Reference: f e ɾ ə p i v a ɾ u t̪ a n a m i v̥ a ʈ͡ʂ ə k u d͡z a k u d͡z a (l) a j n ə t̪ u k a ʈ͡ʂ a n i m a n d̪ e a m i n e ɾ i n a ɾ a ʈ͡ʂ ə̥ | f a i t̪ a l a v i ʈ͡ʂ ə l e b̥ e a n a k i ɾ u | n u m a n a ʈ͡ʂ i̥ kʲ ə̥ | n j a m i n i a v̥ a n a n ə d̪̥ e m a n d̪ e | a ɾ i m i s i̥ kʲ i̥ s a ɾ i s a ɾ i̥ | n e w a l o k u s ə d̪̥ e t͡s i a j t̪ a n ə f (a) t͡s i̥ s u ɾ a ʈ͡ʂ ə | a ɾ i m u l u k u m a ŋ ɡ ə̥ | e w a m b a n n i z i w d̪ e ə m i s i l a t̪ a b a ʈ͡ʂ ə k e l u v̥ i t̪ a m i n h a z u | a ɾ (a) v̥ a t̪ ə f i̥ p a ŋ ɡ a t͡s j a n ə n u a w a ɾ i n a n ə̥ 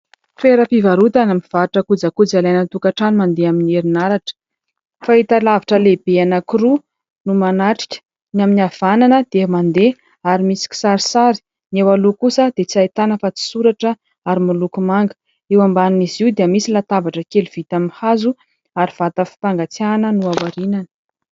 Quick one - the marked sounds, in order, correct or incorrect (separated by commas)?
correct, correct, incorrect